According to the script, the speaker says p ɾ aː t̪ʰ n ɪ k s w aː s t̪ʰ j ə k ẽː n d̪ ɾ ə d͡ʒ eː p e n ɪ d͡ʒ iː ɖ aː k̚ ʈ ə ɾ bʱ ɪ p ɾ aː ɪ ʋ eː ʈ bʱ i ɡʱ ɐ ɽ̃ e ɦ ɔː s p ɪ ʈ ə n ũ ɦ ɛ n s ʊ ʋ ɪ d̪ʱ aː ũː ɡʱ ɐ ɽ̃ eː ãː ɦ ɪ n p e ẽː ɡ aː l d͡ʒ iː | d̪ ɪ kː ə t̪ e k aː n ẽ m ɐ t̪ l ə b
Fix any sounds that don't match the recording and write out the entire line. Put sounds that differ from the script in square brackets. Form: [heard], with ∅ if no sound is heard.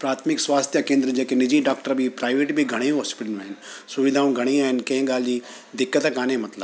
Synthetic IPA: p ɾ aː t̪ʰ [m] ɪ k s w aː s t̪ʰ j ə k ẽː n d̪ ɾ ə d͡ʒ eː [k] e n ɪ d͡ʒ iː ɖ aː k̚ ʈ ə ɾ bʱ [i] p ɾ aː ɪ ʋ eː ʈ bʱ i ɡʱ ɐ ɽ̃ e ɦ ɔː s p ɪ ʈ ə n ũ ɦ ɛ n s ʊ ʋ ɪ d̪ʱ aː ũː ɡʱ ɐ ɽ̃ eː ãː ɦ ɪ n [k] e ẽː ɡ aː l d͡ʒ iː | d̪ ɪ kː ə t̪ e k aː n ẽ m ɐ t̪ l ə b

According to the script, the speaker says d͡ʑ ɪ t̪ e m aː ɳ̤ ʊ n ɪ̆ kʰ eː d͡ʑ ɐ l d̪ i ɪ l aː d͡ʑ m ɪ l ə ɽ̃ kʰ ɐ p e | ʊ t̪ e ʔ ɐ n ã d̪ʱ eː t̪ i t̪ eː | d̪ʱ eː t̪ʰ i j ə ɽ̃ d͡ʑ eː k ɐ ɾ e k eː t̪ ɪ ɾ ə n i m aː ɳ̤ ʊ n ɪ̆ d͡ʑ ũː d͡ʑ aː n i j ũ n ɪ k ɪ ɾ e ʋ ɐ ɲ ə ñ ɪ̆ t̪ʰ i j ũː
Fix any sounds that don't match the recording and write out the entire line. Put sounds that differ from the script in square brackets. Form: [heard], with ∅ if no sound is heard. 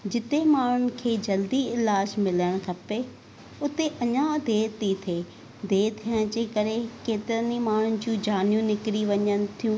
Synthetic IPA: d͡ʑ ɪ t̪ e m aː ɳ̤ ʊ n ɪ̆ kʰ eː d͡ʑ ɐ l d̪ i ɪ l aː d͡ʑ m ɪ l ə ɽ̃ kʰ ɐ p e | ʊ t̪ e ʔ ɐ [ɲ] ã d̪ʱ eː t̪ i [t̪ʰ] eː | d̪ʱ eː t̪ʰ i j ə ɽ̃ d͡ʑ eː k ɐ ɾ e k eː t̪ ɪ ɾ ə n i m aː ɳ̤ ʊ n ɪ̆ d͡ʑ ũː d͡ʑ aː n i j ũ n ɪ k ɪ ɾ [i] ʋ ɐ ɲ ə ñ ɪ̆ t̪ʰ i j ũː

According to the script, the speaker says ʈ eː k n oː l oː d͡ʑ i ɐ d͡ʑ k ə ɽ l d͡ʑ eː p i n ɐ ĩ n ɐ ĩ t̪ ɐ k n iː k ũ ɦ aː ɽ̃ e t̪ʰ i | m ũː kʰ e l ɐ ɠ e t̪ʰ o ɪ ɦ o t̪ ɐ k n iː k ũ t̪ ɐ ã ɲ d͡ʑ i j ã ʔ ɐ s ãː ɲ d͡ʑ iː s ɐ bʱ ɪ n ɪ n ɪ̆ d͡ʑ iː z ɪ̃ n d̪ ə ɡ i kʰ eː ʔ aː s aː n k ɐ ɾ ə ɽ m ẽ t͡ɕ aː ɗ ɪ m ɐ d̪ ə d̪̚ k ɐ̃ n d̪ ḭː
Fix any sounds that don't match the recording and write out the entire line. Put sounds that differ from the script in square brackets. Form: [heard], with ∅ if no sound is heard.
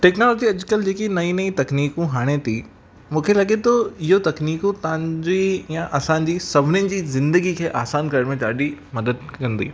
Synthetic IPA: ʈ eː k n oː l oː d͡ʑ i ɐ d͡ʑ k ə [∅] l d͡ʑ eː [k] i n ɐ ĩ n ɐ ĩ t̪ ɐ k n iː k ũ ɦ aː ɽ̃ e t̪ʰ i | m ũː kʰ e l ɐ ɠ e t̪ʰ o ɪ ɦ o t̪ ɐ k n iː k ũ t̪ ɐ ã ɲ d͡ʑ i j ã ʔ ɐ s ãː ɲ d͡ʑ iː s ɐ bʱ ɪ n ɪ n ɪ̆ d͡ʑ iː z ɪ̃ n d̪ ə ɡ i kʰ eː ʔ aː s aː n k ɐ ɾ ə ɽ m ẽ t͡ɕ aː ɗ [i] m ɐ d̪ ə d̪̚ k ɐ̃ n d̪ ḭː

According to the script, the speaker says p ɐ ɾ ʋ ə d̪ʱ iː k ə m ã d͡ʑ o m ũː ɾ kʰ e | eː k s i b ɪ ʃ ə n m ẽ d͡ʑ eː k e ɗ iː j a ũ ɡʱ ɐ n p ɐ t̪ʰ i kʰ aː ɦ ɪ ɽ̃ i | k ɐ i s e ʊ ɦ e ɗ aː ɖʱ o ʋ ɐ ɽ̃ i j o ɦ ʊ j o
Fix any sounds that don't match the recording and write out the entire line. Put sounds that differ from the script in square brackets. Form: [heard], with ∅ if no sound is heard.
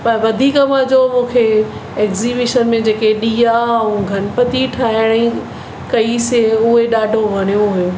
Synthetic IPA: p ɐ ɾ ʋ [ɐ] d̪ʱ iː k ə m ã d͡ʑ o m ũː [∅] kʰ e | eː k [z] i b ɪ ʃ ə n m ẽ d͡ʑ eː k e ɗ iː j a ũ ɡʱ ɐ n p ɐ [t̪] i [ʈʰ] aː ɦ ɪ ɽ̃ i | k ɐ i s e ʊ ɦ e ɗ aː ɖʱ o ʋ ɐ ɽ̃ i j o ɦ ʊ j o

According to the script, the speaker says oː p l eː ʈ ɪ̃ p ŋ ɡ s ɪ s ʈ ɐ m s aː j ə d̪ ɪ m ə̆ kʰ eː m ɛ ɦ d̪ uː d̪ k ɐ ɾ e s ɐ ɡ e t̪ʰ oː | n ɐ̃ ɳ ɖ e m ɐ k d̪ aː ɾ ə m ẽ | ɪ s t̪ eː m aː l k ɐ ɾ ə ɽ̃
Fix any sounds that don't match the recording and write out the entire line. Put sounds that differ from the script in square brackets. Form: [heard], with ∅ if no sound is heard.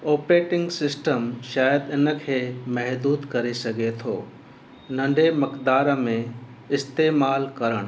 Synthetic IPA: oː p [ɾ] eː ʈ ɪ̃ [∅] ŋ ɡ s ɪ s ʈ [ə] m [ʃ] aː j ə d̪ ɪ [n] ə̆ kʰ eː m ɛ ɦ d̪ uː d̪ k ɐ ɾ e s ɐ ɡ e t̪ʰ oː | n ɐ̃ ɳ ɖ e m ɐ k d̪ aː ɾ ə m ẽ | ɪ s t̪ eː m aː l k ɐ ɾ ə ɽ̃

